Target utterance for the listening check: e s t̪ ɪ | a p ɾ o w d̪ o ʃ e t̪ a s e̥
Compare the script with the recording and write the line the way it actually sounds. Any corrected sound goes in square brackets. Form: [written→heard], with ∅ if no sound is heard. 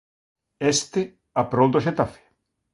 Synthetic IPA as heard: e s t̪ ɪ | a p ɾ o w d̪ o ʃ e t̪ a [s→f] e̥